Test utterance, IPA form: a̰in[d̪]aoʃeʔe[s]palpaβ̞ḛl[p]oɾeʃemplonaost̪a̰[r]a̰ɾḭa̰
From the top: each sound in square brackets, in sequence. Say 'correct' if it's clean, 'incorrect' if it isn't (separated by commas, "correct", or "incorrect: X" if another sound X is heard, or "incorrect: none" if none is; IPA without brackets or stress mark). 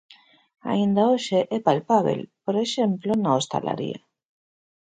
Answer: correct, incorrect: none, correct, incorrect: l